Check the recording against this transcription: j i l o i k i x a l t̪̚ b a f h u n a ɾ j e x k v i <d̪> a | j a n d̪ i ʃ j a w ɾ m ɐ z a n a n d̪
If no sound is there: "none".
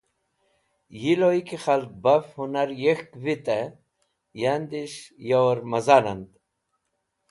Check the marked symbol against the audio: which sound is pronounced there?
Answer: t̪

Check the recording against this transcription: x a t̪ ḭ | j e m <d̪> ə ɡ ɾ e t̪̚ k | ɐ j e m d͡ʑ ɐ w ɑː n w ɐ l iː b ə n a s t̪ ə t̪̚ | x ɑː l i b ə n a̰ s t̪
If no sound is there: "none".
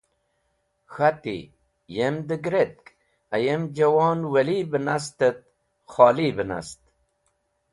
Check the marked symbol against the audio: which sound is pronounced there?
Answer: d̪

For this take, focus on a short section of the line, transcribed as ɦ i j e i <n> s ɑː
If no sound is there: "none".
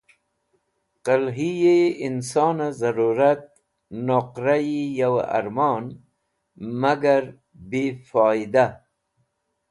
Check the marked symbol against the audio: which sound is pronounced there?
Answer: n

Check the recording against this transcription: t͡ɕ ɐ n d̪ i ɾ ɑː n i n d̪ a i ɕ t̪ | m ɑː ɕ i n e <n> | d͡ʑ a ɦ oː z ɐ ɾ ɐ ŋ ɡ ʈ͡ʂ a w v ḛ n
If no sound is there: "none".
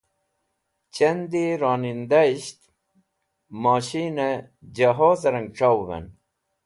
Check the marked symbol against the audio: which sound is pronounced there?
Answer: none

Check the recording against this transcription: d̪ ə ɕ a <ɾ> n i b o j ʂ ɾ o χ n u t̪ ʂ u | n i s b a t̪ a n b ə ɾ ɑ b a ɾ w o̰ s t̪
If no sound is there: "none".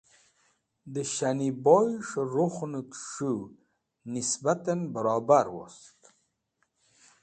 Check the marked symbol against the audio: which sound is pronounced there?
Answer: none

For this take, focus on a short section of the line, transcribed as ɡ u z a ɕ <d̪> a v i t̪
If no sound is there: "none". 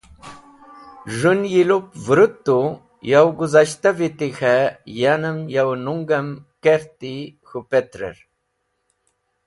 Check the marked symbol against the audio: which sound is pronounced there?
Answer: t̪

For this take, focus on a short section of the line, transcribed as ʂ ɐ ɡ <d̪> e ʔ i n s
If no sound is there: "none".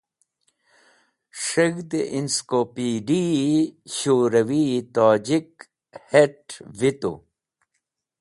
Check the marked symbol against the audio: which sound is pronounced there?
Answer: d̪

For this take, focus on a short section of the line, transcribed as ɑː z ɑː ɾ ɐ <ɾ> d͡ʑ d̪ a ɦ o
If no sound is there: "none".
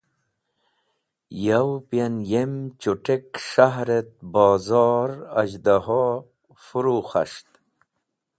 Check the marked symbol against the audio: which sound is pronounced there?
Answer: none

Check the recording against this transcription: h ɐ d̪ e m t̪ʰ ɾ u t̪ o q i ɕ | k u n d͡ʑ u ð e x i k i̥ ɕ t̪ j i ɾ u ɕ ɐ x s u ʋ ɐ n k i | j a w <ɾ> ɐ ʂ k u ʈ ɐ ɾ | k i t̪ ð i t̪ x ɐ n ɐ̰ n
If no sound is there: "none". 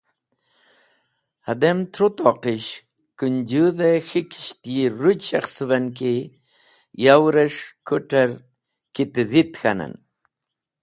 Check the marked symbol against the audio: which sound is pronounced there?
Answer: ɾ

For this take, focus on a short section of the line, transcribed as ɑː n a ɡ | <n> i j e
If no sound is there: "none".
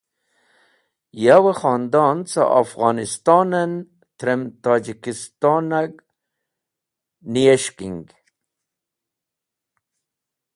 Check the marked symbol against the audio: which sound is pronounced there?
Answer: n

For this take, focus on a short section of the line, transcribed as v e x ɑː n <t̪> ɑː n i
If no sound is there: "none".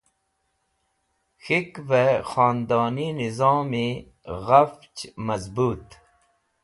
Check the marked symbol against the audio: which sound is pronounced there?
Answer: d̪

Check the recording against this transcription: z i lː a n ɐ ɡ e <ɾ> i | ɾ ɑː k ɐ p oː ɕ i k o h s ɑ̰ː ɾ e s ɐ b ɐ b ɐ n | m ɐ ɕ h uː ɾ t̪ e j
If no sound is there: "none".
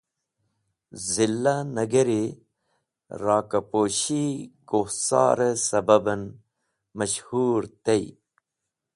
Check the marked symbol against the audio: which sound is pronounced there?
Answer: ɾ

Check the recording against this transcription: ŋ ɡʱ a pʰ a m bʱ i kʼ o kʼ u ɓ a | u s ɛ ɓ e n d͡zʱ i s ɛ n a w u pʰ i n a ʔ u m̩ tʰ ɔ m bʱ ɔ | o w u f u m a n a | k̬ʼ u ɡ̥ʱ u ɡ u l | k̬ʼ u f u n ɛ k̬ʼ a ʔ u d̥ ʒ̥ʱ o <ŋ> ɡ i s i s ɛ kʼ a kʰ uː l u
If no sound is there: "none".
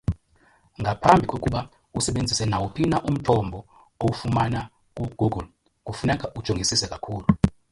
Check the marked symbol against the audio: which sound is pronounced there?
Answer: ŋ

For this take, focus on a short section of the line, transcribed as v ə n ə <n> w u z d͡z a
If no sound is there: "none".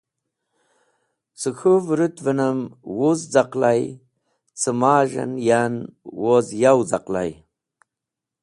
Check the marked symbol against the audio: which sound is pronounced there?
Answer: m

